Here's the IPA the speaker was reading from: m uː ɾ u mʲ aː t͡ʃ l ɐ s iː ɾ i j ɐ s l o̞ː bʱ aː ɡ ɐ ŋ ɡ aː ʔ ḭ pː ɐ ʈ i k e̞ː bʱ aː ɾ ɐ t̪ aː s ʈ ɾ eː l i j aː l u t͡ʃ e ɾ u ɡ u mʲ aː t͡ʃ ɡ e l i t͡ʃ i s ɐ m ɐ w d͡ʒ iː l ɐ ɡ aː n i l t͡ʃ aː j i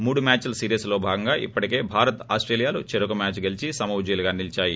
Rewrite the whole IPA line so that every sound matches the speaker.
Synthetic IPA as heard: m uː ɽ u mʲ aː t͡ʃ l ɐ s iː ɾ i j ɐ s l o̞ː bʱ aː ɡ ɐ ŋ ɡ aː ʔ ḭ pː ɐ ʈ i k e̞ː bʱ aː ɾ ɐ t̪ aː s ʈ ɾ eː l i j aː l u t͡ʃ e ɾ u k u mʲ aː t͡ʃ ɡ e l i t͡ʃ i s ɐ m ɐ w d͡ʒ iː l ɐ ɡ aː n i l t͡ʃ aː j i